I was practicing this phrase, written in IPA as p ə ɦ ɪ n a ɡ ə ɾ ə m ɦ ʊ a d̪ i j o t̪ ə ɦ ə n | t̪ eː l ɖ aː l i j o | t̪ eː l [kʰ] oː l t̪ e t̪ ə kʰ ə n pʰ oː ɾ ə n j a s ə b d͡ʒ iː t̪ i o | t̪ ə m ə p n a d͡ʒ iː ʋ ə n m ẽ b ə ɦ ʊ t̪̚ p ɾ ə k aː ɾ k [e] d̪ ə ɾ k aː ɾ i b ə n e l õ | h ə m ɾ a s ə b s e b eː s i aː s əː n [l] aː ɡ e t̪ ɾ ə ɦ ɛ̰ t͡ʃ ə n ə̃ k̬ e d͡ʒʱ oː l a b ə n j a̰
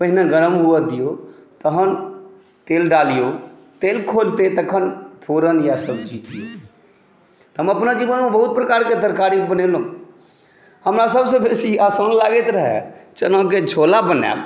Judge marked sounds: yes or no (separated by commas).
yes, yes, yes